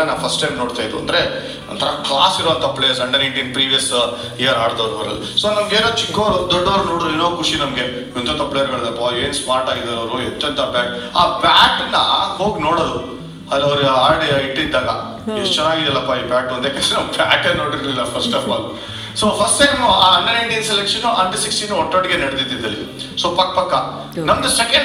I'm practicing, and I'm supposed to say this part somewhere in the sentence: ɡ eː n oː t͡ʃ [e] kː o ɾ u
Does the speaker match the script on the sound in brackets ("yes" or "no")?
no